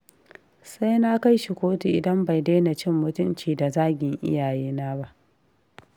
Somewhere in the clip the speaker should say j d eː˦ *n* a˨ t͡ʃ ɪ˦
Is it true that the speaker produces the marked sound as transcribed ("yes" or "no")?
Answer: yes